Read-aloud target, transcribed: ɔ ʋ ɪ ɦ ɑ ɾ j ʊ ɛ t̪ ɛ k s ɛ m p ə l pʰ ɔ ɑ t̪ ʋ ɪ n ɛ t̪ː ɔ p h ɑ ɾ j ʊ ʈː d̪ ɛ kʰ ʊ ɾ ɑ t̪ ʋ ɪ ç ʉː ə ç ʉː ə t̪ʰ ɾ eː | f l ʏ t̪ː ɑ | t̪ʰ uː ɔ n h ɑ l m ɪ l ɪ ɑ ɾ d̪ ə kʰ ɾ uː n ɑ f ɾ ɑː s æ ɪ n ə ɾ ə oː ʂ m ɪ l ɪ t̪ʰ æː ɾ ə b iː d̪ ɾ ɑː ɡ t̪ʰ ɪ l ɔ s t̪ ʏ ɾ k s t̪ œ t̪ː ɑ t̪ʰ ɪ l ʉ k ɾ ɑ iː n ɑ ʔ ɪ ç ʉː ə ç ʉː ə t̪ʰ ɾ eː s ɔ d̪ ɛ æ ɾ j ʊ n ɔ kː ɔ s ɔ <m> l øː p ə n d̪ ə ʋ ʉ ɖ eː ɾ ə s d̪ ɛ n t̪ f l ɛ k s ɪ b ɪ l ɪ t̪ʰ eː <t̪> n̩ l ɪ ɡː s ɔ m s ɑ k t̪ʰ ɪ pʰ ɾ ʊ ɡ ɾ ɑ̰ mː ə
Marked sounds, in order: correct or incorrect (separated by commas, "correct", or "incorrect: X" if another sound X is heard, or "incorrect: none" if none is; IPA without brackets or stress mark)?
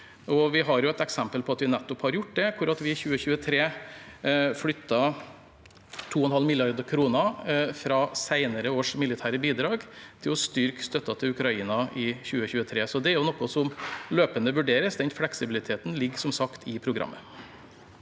correct, correct